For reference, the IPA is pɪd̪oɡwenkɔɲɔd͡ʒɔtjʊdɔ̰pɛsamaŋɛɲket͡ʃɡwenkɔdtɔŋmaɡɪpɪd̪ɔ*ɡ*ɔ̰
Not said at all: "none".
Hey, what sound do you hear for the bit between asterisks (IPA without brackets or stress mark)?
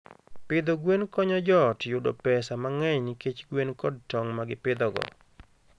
ɡ